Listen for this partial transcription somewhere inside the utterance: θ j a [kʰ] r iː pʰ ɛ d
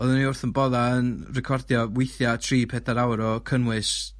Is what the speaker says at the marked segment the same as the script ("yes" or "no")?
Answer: no